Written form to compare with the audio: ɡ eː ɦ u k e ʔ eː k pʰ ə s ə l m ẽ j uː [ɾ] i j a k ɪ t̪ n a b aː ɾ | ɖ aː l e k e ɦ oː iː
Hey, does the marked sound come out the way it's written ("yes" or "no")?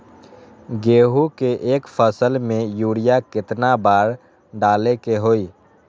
no